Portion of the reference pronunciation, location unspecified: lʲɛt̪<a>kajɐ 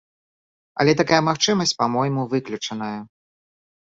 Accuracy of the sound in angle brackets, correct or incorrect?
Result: correct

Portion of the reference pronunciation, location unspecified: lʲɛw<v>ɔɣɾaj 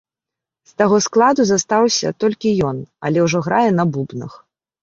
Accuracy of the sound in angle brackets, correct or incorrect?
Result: incorrect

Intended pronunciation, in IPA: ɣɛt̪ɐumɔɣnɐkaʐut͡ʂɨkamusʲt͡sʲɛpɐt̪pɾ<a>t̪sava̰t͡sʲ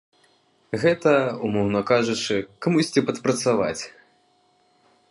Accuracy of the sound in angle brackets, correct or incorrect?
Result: incorrect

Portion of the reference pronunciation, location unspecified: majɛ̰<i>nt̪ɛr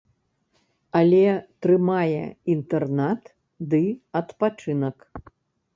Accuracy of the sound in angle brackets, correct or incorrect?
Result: correct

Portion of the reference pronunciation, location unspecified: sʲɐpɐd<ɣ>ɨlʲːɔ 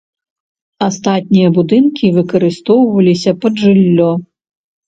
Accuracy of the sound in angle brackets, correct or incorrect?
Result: incorrect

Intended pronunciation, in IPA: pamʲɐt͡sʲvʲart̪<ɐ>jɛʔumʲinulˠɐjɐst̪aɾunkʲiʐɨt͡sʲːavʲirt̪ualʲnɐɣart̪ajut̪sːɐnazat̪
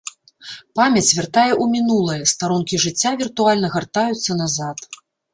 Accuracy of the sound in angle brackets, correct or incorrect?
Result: incorrect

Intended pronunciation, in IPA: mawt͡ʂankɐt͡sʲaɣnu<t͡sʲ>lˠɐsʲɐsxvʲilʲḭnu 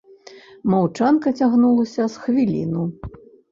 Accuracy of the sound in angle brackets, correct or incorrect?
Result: incorrect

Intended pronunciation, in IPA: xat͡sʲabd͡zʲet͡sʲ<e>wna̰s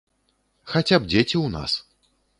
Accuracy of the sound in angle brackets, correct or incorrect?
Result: incorrect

